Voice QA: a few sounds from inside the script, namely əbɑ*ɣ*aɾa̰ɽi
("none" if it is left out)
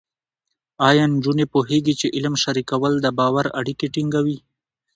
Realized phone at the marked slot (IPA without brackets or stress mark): w